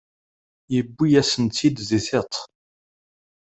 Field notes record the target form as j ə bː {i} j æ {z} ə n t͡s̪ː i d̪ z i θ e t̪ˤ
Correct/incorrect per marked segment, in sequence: correct, incorrect: s

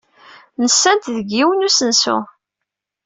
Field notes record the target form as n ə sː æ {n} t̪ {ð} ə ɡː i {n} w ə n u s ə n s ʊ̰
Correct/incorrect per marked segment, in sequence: correct, correct, incorrect: none

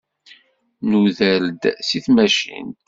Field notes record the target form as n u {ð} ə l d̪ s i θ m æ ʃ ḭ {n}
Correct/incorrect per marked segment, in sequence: correct, correct

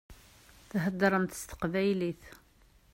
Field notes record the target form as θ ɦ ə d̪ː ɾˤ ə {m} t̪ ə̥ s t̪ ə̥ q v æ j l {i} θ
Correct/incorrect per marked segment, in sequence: correct, correct

